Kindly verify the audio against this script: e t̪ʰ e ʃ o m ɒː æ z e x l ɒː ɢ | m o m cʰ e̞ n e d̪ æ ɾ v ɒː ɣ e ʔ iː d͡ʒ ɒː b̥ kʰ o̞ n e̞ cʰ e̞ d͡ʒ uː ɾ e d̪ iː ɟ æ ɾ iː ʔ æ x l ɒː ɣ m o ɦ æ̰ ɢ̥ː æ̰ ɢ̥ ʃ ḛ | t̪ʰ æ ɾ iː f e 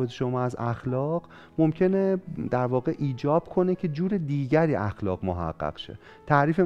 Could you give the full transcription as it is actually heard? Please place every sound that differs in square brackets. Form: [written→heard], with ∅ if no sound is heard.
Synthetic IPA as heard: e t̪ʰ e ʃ o m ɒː æ z [e→æ] x l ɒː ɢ | m o m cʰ e̞ n e d̪ æ ɾ v ɒː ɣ e ʔ iː d͡ʒ ɒː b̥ kʰ o̞ n e̞ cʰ e̞ d͡ʒ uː ɾ e d̪ iː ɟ æ ɾ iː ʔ æ x l ɒː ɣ m o ɦ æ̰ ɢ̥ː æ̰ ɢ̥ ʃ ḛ | t̪ʰ æ ɾ iː f e